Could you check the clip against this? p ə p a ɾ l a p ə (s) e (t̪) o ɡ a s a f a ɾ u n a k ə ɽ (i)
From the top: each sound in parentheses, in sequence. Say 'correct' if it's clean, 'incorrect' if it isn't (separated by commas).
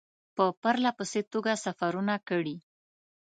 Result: correct, correct, correct